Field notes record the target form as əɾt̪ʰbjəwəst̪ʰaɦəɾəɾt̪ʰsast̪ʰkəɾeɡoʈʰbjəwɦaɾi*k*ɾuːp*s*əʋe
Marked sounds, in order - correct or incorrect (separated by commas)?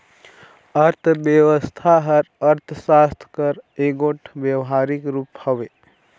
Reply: correct, incorrect